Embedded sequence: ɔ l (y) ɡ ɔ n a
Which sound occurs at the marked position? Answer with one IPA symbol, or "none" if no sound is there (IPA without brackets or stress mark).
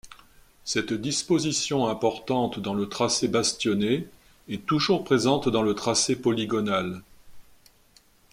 i